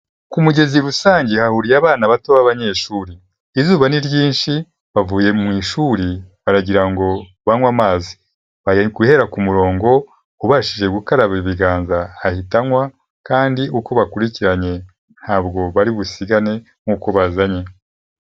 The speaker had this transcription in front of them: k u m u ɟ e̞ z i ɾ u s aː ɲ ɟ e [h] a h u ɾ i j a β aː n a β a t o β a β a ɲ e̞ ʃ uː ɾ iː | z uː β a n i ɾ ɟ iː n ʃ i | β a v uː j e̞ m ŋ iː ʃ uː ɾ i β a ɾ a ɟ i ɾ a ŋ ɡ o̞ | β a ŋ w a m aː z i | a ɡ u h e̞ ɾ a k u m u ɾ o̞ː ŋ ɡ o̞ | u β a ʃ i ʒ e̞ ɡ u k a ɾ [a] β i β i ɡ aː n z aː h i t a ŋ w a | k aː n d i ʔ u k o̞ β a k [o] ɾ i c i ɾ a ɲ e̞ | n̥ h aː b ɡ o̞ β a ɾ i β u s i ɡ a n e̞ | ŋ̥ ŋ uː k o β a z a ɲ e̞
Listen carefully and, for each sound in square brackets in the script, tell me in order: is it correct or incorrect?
correct, correct, incorrect: u

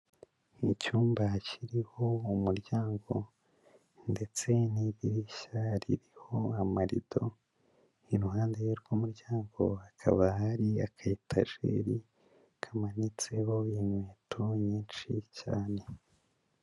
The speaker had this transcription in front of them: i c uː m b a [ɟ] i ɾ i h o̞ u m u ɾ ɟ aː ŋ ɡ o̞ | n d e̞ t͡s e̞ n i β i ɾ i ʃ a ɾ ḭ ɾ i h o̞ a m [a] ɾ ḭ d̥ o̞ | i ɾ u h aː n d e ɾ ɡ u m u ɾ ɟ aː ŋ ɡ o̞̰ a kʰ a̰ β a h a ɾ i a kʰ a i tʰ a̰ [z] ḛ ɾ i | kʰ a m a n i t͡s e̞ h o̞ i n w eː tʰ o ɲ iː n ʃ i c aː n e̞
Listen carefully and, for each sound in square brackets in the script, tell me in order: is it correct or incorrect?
incorrect: c, correct, incorrect: ʒ

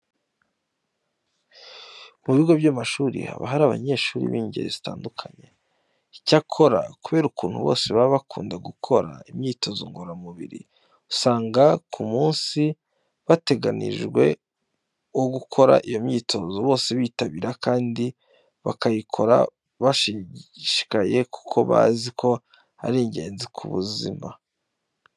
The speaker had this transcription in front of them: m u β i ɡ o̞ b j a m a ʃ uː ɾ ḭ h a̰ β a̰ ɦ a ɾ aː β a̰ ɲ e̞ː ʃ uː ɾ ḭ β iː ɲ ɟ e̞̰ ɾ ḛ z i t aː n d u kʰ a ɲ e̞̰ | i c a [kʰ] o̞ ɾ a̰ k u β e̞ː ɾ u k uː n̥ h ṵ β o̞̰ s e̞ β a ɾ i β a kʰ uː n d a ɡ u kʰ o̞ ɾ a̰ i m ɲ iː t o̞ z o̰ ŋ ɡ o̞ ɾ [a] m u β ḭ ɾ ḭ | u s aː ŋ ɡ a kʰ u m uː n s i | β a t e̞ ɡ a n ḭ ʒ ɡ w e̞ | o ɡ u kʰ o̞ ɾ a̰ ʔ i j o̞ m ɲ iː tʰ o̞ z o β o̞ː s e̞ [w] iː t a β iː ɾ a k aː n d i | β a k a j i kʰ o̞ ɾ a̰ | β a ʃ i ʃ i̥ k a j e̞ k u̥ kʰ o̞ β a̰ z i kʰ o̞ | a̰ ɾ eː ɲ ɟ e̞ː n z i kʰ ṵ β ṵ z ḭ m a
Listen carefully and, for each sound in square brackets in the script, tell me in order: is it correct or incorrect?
correct, correct, incorrect: β

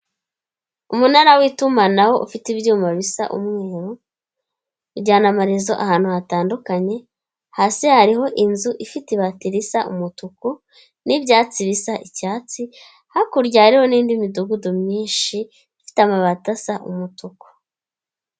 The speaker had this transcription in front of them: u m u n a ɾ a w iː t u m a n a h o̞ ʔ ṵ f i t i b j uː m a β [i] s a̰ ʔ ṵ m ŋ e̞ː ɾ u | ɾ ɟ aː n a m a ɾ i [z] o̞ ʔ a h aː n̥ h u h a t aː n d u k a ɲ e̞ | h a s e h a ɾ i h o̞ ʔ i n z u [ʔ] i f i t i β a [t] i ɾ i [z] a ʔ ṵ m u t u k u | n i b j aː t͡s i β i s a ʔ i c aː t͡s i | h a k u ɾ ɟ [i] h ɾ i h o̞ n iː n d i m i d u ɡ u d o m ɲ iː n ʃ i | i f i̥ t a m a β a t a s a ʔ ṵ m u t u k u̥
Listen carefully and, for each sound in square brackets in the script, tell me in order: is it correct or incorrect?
correct, correct, correct, correct, incorrect: s, incorrect: a

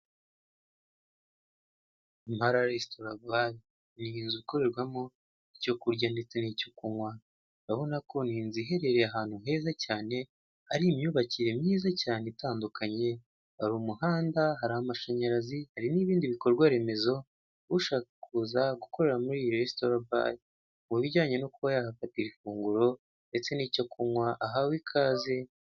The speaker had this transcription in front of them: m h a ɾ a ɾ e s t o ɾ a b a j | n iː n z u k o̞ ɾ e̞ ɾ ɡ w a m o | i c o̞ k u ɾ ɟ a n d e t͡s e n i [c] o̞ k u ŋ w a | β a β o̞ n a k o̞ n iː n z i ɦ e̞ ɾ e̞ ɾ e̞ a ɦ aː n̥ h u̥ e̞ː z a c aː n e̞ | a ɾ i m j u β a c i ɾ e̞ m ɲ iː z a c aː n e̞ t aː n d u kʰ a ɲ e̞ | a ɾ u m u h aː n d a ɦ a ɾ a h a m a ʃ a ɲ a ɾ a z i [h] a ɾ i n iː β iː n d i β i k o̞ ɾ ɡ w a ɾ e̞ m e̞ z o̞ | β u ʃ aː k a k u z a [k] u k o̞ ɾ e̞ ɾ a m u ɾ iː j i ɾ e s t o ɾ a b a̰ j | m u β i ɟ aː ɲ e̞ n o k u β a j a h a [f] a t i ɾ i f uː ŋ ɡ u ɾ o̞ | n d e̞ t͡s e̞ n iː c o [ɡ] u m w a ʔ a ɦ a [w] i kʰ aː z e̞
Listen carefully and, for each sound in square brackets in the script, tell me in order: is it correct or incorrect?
correct, correct, incorrect: ɡ, correct, incorrect: k, correct

